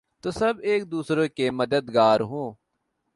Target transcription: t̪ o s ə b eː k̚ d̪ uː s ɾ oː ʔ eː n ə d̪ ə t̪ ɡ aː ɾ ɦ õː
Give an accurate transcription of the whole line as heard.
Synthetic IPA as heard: t̪ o s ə b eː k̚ d̪ uː s ɾ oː k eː m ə d̪ ə d̪ ɡ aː ɾ ɦ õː